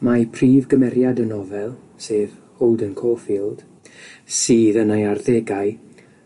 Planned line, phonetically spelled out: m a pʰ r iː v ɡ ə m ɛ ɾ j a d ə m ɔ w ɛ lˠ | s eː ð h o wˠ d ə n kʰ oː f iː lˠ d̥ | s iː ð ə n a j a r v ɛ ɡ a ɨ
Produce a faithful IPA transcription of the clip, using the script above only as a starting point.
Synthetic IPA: m a pʰ r iː v ɡ ə m ɛ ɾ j a d ə n ɔ v ɛ lˠ | s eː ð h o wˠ d ə n kʰ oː f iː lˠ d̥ | s iː ð ə n a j a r ð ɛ ɡ a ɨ